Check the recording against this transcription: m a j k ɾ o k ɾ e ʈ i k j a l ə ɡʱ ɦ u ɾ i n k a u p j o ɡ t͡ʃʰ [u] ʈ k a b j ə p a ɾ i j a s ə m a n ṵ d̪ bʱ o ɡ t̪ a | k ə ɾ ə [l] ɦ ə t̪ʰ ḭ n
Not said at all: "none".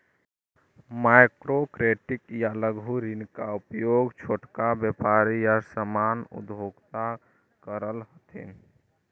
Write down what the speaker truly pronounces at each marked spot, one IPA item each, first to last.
o, l

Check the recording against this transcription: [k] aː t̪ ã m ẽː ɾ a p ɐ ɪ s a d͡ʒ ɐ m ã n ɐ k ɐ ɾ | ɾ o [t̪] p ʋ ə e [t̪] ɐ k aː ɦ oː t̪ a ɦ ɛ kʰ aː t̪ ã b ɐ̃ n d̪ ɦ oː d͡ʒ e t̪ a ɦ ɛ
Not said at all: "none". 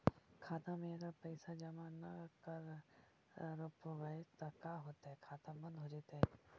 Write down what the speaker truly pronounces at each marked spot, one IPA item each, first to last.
kʰ, none, t̪

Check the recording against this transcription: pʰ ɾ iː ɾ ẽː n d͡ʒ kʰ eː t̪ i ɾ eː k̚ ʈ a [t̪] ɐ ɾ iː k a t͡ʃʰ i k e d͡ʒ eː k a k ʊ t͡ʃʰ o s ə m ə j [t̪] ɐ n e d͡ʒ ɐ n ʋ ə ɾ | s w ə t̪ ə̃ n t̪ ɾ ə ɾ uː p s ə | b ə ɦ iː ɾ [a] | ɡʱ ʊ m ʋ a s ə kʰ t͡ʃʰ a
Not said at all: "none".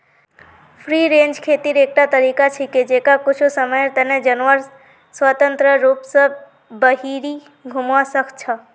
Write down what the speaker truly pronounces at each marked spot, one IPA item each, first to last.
t̪, t̪, i

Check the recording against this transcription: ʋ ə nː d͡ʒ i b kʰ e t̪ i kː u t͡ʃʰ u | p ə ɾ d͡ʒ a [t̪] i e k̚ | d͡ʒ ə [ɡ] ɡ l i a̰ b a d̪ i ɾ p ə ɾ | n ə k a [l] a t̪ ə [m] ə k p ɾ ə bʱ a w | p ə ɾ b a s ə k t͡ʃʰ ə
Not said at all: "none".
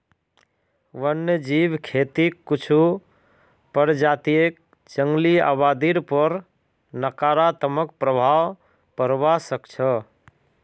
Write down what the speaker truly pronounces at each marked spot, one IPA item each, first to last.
t̪, ŋ, ɾ, m

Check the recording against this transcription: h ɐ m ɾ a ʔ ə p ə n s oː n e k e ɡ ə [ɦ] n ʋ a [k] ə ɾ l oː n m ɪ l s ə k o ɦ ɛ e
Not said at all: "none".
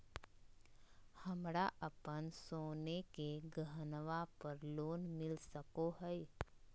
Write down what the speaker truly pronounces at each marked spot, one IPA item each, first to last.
ɦ, p

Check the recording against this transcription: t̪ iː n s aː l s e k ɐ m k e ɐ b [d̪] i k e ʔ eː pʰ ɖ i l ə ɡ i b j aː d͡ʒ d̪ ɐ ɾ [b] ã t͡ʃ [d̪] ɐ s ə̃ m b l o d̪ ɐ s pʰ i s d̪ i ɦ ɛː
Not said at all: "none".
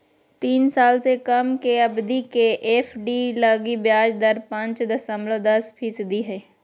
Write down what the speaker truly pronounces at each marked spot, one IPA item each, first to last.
d̪, p, d̪

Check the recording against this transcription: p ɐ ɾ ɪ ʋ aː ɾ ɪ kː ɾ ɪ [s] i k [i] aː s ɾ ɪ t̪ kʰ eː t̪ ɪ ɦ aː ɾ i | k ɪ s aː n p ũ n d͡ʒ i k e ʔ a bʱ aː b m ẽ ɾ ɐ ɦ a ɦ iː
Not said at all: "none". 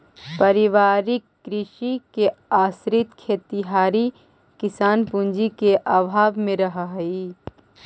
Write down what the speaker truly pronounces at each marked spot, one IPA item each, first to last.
ʃ, e

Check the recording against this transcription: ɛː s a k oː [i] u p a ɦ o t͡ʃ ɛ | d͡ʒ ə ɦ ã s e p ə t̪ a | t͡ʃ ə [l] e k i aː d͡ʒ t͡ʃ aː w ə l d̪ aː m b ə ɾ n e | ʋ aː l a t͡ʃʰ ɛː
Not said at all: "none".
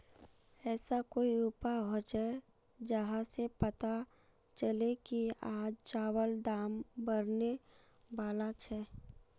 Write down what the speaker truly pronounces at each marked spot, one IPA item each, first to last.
i, l

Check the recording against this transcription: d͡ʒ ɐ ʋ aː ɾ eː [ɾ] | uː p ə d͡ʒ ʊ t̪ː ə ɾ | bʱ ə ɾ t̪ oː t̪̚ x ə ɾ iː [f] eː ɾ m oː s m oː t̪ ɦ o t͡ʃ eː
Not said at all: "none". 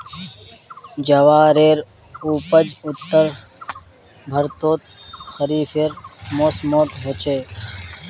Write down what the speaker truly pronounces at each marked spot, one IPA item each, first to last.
ɾ, f

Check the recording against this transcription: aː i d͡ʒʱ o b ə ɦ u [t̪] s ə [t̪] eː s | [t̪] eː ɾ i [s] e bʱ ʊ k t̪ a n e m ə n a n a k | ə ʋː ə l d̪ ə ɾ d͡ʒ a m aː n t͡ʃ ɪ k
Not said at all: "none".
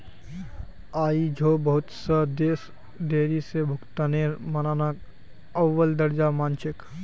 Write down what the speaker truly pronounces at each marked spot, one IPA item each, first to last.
t̪, d̪, d̪, s

